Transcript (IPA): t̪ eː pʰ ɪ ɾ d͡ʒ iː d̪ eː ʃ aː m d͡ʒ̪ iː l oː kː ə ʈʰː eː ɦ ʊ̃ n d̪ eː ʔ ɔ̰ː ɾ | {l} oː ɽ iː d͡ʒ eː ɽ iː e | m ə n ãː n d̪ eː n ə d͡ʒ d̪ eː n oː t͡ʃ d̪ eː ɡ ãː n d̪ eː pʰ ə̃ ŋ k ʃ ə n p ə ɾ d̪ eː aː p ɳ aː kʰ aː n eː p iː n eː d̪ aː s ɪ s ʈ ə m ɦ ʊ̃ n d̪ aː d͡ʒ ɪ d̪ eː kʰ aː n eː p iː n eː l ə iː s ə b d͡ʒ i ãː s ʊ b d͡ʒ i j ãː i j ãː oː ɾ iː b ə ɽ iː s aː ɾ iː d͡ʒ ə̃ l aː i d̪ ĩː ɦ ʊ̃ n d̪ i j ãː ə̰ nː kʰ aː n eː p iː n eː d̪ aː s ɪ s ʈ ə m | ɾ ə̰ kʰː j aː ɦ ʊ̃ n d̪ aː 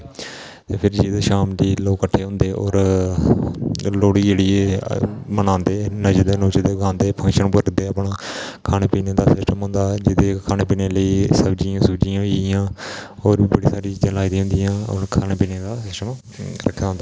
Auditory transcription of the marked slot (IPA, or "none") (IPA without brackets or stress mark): l